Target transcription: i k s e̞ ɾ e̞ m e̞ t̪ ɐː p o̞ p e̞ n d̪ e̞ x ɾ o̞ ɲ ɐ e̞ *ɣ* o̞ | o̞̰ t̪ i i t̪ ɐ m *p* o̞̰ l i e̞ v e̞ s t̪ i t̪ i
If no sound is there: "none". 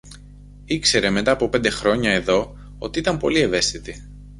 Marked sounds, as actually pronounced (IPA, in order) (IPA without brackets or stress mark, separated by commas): ð, p